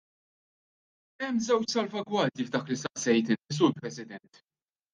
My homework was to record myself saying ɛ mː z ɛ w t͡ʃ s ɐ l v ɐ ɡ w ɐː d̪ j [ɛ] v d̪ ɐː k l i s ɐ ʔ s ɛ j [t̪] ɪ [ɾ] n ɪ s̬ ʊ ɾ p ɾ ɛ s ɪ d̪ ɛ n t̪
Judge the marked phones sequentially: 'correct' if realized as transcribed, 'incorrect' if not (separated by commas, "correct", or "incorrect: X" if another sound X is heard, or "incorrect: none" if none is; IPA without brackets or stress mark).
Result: incorrect: i, correct, incorrect: none